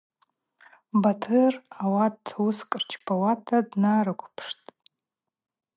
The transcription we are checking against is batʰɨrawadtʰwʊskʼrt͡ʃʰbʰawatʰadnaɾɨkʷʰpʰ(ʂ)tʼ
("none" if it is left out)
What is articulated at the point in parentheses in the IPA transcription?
ʂ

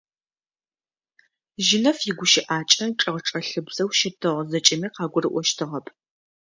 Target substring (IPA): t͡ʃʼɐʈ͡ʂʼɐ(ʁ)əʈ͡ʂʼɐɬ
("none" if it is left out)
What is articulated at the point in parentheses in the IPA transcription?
ʁ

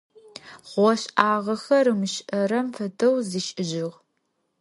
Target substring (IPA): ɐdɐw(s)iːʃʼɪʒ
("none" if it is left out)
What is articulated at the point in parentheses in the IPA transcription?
z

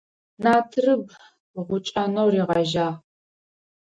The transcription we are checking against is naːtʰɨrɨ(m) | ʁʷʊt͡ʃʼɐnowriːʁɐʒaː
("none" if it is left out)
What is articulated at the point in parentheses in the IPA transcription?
b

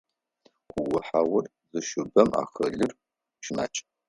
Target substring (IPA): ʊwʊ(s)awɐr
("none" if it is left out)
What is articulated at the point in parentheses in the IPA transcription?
ħ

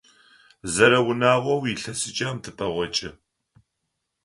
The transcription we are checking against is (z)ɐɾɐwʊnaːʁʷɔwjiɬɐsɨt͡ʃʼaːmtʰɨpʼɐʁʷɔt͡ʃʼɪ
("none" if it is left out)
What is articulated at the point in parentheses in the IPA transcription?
z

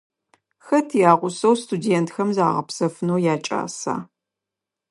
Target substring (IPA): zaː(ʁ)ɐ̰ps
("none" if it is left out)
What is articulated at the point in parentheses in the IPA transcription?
ʁ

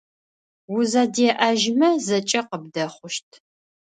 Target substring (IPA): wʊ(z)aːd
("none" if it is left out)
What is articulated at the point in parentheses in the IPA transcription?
z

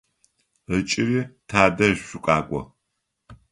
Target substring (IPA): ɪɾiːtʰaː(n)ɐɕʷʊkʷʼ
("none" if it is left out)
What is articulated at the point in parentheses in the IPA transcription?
d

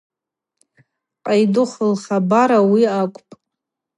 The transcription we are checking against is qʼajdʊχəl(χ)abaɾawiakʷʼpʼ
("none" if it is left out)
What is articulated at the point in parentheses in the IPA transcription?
χ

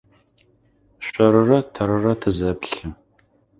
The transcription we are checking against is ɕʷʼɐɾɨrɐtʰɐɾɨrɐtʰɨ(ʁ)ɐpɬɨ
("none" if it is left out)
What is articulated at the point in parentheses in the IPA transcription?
z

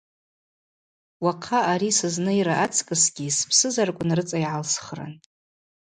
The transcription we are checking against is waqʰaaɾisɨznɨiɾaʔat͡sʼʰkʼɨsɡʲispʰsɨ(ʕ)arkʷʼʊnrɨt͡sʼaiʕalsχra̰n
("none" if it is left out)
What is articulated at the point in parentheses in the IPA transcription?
z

